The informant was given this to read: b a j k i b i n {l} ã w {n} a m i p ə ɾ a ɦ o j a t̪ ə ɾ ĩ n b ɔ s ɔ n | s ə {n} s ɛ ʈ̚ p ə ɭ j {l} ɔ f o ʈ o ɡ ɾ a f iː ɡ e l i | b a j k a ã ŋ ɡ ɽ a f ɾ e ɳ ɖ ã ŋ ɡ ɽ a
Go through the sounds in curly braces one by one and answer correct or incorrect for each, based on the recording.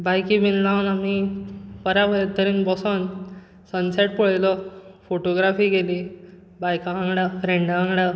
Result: correct, correct, correct, correct

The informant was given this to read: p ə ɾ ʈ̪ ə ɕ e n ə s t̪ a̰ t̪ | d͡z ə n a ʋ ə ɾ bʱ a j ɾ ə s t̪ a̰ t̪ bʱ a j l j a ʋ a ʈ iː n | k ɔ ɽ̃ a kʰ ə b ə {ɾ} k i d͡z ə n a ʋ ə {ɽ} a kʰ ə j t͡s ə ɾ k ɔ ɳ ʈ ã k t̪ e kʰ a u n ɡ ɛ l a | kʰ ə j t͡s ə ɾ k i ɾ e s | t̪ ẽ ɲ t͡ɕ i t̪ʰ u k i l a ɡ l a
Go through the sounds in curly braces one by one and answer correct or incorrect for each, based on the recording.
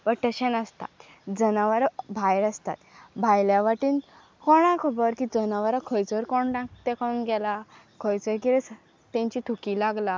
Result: correct, incorrect: ɾ

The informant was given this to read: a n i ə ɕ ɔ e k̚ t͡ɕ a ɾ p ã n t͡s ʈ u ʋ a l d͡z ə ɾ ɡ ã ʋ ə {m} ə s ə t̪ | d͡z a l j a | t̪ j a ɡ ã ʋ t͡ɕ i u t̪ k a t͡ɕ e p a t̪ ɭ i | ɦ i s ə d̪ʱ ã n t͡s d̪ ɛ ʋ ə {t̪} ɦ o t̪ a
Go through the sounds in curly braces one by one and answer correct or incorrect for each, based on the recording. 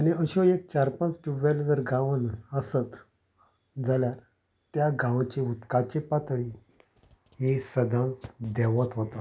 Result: incorrect: n, correct

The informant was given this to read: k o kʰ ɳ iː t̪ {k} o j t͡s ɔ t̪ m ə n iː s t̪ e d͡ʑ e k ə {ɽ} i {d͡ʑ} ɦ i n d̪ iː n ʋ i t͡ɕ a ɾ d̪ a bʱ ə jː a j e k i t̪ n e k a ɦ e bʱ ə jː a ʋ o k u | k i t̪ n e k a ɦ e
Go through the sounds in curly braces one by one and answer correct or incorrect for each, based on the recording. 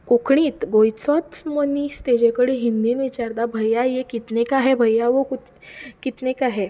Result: incorrect: ɡ, correct, incorrect: none

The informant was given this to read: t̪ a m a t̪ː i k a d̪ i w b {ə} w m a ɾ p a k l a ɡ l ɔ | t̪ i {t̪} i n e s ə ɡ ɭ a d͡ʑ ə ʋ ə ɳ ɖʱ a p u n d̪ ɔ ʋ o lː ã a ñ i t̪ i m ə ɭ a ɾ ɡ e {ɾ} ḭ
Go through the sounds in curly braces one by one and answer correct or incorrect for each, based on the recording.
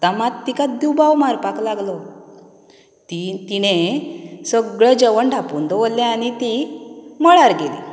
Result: incorrect: a, correct, incorrect: l

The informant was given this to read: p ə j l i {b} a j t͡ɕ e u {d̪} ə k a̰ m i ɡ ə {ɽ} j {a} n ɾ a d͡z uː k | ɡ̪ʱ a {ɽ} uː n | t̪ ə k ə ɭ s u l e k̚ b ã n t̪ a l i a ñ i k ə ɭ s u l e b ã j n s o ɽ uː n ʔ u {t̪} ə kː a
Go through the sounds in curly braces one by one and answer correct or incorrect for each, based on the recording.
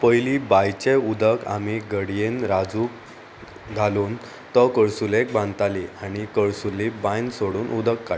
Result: correct, correct, correct, incorrect: e, incorrect: l, incorrect: d̪

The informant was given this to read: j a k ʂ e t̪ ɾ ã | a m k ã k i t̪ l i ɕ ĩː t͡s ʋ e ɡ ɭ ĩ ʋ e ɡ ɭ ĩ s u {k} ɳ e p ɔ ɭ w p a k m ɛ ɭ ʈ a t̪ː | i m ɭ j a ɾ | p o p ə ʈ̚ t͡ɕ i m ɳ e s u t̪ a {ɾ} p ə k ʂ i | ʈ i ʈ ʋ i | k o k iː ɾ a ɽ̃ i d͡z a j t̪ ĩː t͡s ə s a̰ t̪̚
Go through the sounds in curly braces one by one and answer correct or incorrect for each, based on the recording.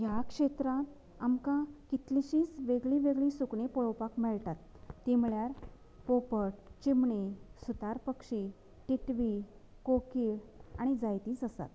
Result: correct, correct

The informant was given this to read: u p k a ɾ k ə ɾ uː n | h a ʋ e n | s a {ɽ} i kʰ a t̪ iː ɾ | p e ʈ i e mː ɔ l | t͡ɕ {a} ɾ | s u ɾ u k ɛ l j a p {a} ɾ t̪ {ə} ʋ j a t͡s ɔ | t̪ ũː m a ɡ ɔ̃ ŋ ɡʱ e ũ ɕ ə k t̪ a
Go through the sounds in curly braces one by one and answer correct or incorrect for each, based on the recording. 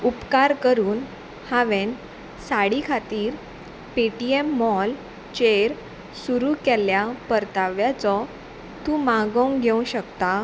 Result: correct, incorrect: e, incorrect: ə, incorrect: a

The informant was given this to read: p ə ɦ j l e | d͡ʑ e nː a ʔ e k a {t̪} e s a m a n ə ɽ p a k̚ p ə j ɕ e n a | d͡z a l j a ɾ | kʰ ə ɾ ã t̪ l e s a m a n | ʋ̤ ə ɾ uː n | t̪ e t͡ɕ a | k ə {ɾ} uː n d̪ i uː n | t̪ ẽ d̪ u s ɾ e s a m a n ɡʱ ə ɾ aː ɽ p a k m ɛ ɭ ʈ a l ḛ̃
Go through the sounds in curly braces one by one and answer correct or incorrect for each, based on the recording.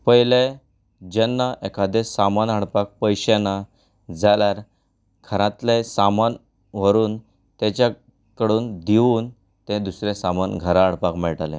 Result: incorrect: d̪, incorrect: ɽ

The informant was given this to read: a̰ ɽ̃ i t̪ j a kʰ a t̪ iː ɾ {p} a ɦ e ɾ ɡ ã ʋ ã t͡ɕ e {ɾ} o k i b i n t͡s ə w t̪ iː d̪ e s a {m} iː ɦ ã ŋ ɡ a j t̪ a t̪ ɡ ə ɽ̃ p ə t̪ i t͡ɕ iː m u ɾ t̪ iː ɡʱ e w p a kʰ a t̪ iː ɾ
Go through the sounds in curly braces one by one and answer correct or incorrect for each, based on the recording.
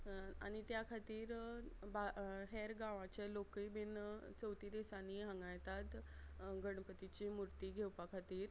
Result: incorrect: b, incorrect: l, incorrect: n

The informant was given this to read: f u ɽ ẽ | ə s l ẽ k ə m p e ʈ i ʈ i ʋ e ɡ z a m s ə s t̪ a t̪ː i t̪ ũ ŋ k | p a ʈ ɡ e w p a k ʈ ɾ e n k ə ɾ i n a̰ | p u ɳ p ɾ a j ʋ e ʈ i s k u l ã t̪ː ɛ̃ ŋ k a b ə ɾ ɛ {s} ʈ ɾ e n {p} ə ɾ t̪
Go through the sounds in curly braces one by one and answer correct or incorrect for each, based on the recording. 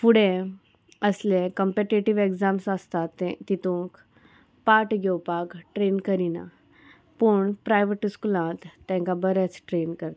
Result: incorrect: t͡s, incorrect: k

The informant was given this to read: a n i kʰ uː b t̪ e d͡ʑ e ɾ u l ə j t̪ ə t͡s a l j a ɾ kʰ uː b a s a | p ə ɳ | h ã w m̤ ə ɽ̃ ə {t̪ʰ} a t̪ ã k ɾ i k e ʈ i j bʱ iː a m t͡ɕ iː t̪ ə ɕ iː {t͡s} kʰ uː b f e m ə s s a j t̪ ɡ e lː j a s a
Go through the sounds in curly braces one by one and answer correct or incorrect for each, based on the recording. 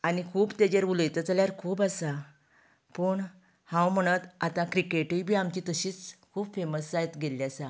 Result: incorrect: t̪, correct

